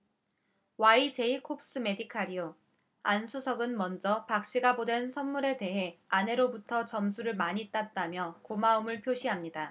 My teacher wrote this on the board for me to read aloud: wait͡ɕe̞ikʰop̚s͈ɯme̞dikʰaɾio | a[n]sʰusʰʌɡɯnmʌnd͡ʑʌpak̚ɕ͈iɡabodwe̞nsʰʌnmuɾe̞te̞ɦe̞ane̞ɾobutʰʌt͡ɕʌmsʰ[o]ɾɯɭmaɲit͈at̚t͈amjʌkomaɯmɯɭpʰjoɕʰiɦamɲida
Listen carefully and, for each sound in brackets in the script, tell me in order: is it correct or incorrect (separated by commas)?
correct, incorrect